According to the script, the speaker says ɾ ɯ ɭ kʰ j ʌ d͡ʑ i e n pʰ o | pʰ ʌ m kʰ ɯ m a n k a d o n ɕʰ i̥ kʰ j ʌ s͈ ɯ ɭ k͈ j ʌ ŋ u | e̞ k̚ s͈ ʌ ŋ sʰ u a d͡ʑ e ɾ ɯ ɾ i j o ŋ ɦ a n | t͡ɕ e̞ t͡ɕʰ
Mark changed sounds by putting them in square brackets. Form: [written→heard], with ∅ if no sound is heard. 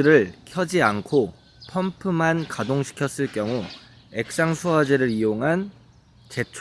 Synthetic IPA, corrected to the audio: ɾ ɯ ɭ kʰ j ʌ d͡ʑ i [e→a] n [pʰ→kʰ] o | pʰ ʌ m [kʰ→pʰ] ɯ m a n k a d o [n→ŋ] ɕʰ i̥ kʰ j ʌ s͈ ɯ ɭ k͈ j ʌ ŋ u | e̞ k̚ s͈ [ʌ→a] ŋ sʰ u a d͡ʑ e ɾ ɯ ɾ i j o ŋ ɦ a n | t͡ɕ e̞ t͡ɕʰ